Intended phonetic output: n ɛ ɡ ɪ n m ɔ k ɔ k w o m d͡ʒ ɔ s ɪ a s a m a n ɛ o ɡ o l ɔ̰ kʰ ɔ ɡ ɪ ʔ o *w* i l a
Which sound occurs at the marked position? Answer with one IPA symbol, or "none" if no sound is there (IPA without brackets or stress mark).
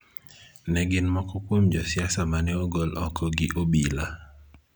b